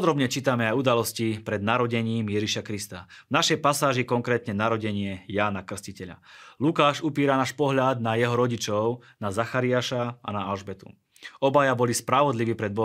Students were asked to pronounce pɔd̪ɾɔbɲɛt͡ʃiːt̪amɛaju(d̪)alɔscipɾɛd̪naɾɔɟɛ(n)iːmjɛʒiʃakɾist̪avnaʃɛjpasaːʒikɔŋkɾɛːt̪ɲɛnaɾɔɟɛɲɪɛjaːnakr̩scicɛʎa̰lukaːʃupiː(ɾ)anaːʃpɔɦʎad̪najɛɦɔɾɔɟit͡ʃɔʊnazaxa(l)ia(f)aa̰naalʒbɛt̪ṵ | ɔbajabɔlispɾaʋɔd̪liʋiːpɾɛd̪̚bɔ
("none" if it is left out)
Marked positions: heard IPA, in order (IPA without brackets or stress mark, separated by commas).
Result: d̪, ɲ, ɾ, ɾ, ʃ